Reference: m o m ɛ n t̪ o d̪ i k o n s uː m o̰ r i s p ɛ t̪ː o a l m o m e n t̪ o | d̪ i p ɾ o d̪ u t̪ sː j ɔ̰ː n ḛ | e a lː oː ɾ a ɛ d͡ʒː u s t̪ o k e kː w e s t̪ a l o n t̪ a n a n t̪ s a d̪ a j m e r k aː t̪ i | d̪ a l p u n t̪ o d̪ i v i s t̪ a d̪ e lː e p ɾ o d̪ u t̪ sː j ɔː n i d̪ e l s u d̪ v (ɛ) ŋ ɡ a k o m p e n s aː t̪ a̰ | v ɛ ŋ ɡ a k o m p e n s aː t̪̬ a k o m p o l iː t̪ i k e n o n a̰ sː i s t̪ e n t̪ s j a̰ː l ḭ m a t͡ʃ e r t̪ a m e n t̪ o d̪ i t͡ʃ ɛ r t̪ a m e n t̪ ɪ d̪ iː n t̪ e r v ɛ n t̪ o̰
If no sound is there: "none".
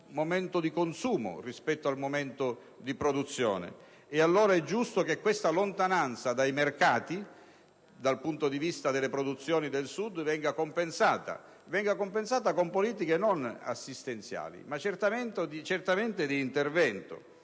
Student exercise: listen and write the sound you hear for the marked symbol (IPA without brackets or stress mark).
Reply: ɛ